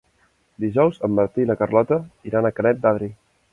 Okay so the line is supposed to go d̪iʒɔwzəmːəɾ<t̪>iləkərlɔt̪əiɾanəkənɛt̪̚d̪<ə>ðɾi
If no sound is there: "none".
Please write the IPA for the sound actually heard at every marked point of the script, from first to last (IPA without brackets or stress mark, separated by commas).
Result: t̪, a